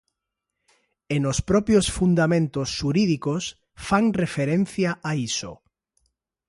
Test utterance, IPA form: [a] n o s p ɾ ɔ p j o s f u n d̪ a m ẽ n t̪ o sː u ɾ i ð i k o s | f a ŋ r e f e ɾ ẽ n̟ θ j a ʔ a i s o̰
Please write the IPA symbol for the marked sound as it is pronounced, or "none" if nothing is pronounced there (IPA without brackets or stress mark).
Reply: e